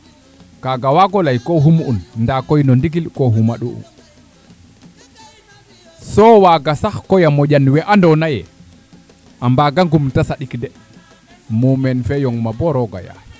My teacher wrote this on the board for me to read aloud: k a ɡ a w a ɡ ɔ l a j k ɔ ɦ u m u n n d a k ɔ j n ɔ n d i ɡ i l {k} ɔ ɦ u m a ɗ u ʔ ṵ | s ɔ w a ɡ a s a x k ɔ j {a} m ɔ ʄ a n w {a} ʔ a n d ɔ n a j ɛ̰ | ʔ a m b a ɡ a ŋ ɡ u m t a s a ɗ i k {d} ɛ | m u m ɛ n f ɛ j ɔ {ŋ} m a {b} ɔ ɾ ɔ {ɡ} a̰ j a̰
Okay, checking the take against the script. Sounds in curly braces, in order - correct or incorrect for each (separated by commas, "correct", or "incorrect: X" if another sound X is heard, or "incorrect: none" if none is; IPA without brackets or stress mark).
correct, correct, incorrect: ɛ, correct, correct, correct, correct